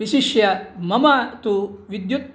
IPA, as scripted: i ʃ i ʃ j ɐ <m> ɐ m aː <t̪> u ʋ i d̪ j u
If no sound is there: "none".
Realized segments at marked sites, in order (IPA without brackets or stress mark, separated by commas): m, t̪